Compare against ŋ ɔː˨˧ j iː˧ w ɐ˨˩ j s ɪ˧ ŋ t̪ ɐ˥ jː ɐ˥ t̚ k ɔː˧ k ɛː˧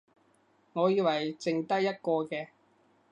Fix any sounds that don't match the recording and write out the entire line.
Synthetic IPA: ŋ ɔː˨˧ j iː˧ w ɐ˨˩ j t͡s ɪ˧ ŋ t̪ ɐ˥ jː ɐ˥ t̚ k ɔː˧ k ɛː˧